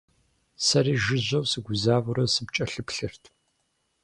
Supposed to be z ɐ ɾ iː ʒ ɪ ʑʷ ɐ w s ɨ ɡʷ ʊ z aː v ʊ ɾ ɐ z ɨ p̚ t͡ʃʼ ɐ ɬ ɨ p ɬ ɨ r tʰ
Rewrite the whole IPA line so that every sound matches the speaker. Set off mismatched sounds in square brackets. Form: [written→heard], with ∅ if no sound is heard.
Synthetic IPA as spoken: [z→s] ɐ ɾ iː ʒ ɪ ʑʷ ɐ w s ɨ ɡʷ ʊ z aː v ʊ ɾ ɐ [z→s] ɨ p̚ t͡ʃʼ ɐ ɬ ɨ p ɬ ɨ r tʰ